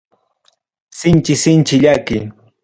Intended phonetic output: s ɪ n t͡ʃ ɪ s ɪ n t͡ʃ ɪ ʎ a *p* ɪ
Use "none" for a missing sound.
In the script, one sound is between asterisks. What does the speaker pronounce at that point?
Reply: k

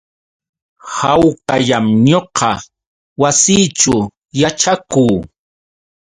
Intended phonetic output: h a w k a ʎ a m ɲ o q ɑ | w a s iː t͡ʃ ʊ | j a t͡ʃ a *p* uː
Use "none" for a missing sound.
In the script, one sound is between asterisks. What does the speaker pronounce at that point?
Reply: k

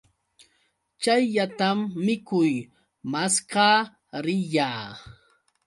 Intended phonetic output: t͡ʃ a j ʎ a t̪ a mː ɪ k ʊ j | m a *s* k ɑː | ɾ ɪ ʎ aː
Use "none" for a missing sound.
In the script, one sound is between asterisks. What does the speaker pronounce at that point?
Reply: s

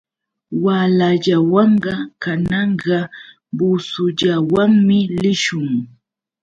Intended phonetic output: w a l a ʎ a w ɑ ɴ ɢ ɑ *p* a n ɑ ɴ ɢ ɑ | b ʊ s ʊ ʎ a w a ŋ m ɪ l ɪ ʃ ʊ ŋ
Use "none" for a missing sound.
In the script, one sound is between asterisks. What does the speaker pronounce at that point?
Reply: k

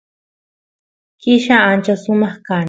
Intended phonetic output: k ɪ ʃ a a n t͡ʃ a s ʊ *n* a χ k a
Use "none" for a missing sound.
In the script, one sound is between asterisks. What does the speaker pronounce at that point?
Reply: m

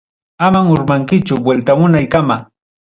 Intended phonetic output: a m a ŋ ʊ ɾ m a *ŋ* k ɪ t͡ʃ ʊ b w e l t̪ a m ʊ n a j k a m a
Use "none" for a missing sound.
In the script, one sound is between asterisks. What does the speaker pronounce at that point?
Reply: ŋ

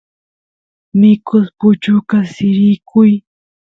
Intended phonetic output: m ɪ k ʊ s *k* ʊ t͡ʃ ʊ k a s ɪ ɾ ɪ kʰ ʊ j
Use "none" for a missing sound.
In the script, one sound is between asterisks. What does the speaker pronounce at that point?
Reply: p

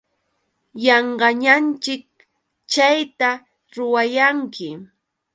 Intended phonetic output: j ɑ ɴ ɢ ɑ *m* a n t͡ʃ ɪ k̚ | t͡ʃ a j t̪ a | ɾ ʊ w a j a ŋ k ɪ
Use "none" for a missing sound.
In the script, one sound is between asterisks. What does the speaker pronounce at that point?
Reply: ɲ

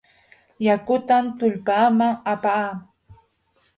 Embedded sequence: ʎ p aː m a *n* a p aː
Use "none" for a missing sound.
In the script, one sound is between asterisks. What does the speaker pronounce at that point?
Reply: ŋ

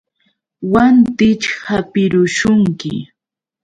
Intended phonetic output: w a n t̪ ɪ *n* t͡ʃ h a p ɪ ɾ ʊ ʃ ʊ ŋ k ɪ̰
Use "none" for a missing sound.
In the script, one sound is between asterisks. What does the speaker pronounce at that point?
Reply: none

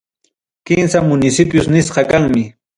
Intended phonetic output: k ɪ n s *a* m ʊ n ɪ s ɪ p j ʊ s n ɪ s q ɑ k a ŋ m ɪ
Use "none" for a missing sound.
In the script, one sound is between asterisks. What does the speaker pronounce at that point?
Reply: a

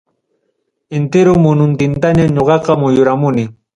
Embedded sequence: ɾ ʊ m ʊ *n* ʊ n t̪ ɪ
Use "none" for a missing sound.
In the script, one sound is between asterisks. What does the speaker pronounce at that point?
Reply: n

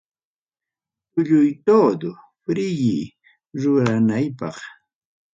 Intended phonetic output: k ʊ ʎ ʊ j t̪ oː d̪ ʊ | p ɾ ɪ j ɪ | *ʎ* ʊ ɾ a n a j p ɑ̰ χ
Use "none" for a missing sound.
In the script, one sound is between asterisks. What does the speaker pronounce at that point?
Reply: ɾ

